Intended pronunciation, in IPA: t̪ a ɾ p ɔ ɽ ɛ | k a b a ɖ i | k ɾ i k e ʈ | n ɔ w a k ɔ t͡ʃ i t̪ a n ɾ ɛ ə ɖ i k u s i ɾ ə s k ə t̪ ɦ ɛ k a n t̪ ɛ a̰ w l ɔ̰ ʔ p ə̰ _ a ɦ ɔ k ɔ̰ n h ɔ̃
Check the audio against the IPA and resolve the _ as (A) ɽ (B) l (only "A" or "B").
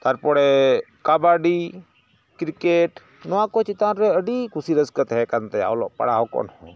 A